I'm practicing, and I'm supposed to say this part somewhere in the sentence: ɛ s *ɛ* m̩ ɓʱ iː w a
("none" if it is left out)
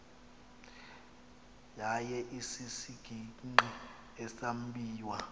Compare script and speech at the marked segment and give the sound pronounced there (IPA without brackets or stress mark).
a